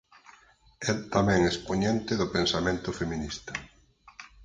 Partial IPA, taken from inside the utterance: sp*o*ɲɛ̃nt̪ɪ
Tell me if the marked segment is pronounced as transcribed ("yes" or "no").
yes